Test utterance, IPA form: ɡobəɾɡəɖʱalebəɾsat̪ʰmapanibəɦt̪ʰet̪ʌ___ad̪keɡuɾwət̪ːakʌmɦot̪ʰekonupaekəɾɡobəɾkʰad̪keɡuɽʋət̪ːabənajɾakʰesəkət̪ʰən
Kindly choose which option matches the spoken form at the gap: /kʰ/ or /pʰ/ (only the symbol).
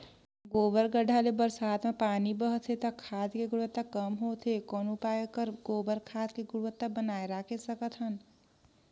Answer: kʰ